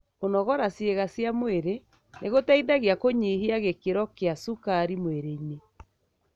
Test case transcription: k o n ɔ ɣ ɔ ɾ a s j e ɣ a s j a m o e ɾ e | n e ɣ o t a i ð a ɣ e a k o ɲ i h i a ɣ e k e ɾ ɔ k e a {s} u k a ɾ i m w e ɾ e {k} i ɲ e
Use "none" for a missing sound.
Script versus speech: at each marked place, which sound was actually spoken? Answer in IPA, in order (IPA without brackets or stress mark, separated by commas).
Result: s, none